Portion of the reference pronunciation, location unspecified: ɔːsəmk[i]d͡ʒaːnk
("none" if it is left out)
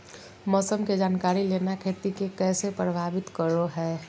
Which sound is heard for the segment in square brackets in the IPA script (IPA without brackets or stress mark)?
e